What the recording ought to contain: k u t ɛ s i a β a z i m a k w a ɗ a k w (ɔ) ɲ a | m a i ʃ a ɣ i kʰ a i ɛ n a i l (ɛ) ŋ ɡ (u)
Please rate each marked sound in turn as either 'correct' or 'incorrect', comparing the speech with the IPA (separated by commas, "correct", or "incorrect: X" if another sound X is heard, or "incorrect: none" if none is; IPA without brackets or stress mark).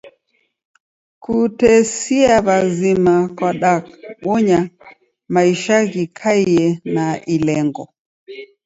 correct, correct, incorrect: ɔ